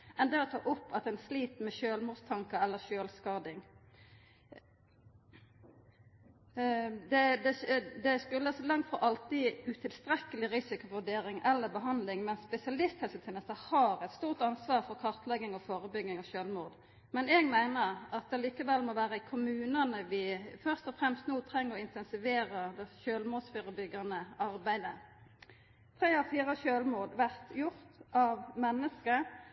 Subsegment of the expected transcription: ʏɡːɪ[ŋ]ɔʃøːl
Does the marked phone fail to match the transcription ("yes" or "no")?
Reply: no